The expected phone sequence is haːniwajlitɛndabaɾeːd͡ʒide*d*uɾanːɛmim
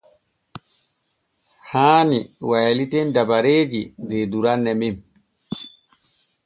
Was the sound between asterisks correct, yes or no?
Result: yes